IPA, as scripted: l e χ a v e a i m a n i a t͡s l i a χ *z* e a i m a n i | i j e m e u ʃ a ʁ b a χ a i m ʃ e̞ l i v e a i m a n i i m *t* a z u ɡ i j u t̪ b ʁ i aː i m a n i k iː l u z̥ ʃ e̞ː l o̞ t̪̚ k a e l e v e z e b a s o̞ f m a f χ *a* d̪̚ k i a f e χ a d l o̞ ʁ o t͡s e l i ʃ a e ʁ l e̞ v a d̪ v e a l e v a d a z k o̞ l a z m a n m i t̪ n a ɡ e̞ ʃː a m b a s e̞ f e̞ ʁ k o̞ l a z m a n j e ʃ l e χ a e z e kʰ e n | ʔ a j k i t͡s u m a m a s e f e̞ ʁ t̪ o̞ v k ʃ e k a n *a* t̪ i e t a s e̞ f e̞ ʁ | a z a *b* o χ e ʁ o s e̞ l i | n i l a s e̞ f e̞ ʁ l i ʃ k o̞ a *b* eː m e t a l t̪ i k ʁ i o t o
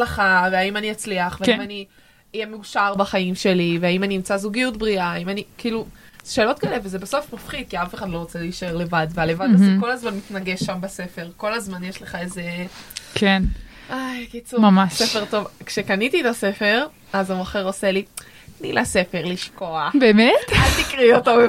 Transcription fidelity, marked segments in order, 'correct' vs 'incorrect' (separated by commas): incorrect, incorrect, incorrect, incorrect, incorrect, correct